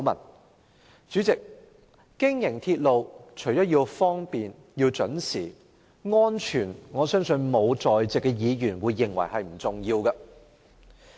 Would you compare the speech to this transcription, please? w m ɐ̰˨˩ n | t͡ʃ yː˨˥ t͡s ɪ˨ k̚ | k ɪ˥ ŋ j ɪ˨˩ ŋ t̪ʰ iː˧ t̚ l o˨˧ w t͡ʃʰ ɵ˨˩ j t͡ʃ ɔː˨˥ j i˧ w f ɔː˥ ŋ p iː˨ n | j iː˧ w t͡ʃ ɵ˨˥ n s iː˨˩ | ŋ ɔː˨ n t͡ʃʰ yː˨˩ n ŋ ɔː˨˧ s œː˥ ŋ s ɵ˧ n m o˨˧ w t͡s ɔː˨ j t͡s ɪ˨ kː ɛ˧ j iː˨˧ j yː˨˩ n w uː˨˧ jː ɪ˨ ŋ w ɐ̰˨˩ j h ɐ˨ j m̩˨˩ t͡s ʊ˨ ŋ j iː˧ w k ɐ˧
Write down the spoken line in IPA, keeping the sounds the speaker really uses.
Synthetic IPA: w m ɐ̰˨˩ n | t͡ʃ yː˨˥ t͡s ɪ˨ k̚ | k ɪ˥ ŋ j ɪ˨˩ ŋ t̪ʰ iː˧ t̚ l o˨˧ w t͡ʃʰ ɵ˨˩ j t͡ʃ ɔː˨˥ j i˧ w f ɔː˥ ŋ p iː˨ n | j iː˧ w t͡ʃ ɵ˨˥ n s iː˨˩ | ŋ ɔː˥ n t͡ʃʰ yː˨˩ n ŋ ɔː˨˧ s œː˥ ŋ s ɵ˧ n m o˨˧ w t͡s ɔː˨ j t͡s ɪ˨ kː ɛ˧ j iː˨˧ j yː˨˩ n w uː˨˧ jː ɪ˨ ŋ w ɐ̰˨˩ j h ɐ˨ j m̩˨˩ t͡s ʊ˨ ŋ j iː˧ w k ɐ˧